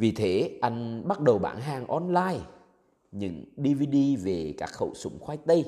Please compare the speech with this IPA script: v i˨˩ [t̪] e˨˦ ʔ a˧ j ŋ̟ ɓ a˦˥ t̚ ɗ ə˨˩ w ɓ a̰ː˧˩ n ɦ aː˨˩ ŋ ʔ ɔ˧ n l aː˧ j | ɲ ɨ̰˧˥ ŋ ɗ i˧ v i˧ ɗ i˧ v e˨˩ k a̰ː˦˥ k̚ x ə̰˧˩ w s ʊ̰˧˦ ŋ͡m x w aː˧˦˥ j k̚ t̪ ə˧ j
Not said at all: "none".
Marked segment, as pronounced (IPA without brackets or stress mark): t̪ʰ